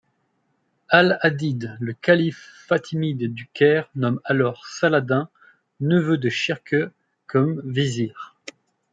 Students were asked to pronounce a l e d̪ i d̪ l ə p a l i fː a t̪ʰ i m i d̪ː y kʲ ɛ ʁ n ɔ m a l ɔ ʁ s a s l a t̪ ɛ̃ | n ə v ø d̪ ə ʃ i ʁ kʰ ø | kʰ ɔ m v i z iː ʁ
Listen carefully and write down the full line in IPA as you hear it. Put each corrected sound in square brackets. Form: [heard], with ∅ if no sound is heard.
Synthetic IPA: a l [a] d̪ i d̪ l ə [k] a l i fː a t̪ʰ i m i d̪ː y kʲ ɛ ʁ n ɔ m a l ɔ ʁ s a [∅] l a [d̪] ɛ̃ | n ə v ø d̪ ə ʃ i ʁ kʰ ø | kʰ ɔ m v i z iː ʁ